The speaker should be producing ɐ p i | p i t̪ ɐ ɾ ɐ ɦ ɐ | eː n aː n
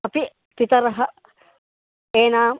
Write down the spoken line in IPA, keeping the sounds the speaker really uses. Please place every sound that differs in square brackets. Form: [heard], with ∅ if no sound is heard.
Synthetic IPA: ɐ p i | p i t̪ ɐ ɾ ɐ ɦ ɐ | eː n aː [m]

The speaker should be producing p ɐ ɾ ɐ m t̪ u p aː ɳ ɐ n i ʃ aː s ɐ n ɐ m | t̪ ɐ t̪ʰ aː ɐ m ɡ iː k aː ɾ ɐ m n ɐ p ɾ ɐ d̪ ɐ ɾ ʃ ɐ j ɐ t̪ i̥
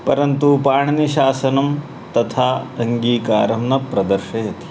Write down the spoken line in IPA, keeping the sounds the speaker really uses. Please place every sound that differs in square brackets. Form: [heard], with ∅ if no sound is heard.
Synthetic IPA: p ɐ ɾ ɐ [n] t̪ u p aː ɳ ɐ n i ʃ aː s ɐ n ɐ m | t̪ ɐ t̪ʰ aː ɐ [ŋ] ɡ iː k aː ɾ ɐ m n ɐ p ɾ ɐ d̪ ɐ ɾ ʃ ɐ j ɐ t̪ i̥

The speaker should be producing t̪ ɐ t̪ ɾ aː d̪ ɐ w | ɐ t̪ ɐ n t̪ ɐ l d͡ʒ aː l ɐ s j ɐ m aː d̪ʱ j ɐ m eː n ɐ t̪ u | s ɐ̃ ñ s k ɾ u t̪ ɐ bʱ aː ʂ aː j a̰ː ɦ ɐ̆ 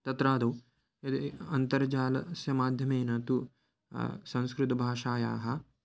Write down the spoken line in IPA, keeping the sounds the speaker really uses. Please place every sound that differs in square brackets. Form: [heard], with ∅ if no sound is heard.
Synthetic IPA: t̪ ɐ t̪ ɾ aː d̪ ɐ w | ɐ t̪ ɐ n t̪ ɐ [ɾ] d͡ʒ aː l ɐ s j ɐ m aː d̪ʱ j ɐ m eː n ɐ t̪ u | s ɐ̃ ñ s k ɾ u t̪ ɐ bʱ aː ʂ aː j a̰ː ɦ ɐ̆

